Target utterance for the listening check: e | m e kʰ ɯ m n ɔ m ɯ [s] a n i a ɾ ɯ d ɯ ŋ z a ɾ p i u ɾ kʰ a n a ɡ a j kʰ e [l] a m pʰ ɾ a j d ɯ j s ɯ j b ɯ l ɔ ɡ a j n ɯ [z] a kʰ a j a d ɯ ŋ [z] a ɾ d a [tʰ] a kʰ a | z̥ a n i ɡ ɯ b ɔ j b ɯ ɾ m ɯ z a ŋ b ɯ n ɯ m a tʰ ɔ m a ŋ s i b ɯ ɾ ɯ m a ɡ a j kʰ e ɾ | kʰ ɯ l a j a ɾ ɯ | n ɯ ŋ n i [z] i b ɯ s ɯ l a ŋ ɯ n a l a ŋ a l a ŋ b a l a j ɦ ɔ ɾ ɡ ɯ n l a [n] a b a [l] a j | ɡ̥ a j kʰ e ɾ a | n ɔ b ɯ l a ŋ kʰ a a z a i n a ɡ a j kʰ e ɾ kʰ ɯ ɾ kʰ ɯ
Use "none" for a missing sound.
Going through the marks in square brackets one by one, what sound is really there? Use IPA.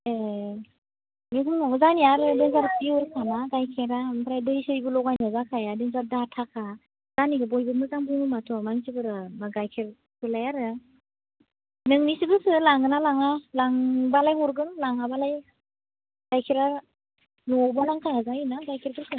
z, ɾ, z, z, tʰ, s, ŋ, l

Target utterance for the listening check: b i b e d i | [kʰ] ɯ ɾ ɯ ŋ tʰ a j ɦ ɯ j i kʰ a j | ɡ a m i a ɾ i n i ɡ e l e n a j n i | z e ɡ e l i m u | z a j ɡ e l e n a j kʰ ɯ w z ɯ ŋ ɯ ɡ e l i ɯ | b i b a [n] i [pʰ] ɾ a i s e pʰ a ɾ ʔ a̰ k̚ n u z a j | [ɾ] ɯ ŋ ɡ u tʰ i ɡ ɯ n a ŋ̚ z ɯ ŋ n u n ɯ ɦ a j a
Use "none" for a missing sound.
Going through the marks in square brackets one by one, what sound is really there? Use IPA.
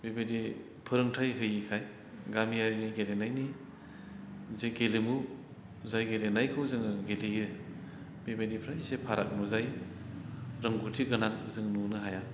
pʰ, d, pʰ, ɾ

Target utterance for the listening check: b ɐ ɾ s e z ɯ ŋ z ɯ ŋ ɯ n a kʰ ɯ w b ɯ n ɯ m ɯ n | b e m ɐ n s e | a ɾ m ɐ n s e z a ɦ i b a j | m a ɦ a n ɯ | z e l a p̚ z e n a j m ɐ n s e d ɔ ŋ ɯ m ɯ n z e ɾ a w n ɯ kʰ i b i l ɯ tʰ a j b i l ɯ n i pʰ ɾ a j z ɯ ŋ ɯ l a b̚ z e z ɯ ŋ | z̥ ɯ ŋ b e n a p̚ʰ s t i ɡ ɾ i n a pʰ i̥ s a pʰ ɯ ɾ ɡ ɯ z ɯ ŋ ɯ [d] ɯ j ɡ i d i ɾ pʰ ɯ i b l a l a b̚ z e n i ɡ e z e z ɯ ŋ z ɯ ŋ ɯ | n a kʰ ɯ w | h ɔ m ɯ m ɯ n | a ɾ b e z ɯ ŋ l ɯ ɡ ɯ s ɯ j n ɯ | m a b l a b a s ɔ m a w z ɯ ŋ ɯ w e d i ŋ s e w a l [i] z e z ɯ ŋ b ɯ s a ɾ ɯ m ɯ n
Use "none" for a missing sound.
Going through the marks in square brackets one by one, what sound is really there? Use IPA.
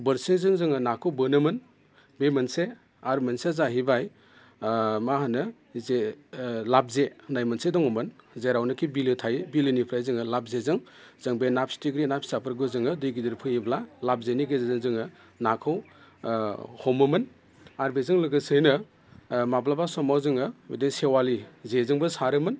d, i

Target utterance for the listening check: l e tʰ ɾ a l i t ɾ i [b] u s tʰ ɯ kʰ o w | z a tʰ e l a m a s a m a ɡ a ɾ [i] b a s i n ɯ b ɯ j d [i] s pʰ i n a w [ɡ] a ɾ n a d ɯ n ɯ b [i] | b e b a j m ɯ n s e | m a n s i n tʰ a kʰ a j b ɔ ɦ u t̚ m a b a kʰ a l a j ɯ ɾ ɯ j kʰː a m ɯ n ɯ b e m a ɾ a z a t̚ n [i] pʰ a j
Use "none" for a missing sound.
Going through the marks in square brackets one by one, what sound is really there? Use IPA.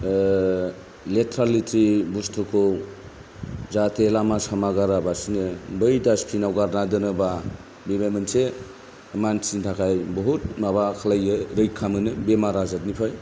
b, a, a, ɡ, a, i

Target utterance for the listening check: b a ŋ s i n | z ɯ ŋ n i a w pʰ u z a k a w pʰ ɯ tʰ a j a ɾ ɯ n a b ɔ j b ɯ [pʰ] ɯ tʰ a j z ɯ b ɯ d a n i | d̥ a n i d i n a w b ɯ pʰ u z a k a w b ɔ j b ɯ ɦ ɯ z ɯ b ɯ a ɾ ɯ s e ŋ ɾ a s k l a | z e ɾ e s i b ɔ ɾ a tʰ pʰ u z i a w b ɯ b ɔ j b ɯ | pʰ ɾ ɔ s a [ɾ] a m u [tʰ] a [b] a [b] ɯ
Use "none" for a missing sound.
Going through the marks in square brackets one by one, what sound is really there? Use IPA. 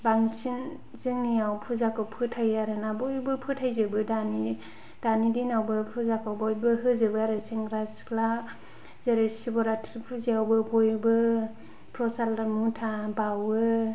pʰ, l, tʰ, b, w

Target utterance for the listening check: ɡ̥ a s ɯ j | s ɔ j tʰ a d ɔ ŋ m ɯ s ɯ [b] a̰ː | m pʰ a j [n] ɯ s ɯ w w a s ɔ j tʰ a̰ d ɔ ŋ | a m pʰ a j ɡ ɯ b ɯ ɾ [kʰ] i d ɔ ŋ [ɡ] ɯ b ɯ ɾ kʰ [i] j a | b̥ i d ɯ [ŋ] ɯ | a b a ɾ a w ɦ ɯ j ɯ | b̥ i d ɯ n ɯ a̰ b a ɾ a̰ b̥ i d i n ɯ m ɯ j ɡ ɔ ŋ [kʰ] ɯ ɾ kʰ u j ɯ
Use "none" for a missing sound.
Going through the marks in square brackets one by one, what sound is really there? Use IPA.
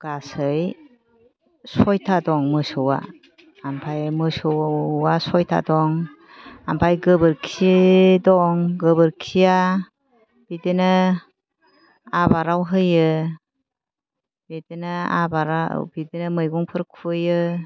w, m, kʰ, ɡ, i, n, pʰ

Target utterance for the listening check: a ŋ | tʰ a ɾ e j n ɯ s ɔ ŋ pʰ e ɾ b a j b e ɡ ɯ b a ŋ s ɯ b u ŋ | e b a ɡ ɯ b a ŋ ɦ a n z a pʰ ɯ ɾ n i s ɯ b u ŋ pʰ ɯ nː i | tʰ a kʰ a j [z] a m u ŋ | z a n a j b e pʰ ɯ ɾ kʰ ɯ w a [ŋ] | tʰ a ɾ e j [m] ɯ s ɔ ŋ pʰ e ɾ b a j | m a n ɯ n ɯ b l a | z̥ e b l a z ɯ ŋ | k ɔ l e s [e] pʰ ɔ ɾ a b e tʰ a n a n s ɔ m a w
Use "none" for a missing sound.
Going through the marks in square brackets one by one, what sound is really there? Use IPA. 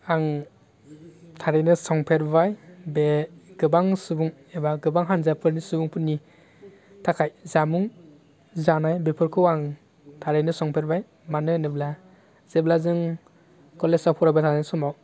z, ŋ, n, a

